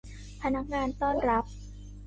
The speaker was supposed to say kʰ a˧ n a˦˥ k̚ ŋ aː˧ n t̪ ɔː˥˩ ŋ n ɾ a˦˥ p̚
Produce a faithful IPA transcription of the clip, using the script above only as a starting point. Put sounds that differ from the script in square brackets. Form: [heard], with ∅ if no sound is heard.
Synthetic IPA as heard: [pʰ] a˧ n a˦˥ k̚ ŋ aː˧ n t̪ ɔː˥˩ [∅] n ɾ a˦˥ p̚